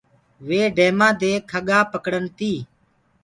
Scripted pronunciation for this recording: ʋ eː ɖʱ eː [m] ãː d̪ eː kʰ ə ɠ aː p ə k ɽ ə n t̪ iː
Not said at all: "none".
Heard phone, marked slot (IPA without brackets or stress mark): m